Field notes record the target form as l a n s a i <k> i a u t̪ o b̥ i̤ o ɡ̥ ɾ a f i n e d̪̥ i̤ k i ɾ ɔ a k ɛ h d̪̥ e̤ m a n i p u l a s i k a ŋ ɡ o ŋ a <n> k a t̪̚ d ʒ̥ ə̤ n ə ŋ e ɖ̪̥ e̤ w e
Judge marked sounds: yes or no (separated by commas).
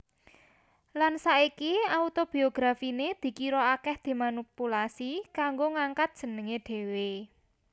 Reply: yes, no